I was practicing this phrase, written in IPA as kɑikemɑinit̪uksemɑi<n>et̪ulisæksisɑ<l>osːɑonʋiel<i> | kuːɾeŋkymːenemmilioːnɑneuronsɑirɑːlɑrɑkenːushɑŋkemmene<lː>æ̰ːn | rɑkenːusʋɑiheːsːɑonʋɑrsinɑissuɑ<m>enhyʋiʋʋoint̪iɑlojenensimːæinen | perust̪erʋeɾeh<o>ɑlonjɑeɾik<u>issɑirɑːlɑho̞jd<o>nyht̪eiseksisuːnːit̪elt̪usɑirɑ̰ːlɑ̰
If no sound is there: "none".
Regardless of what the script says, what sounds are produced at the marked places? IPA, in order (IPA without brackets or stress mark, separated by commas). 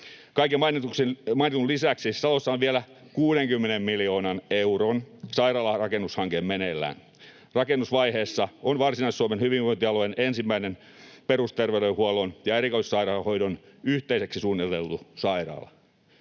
n, l, æ, lː, m, u, o, o